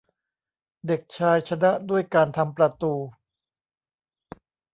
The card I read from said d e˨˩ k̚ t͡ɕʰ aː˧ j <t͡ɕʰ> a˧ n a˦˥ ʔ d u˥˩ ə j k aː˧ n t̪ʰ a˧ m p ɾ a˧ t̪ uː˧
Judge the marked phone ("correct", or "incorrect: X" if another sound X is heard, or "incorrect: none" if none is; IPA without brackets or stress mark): correct